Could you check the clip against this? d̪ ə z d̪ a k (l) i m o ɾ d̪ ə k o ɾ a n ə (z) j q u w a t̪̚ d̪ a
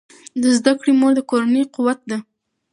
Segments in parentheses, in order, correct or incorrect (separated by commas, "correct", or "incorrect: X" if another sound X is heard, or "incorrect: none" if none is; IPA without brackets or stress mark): incorrect: ɽ, incorrect: none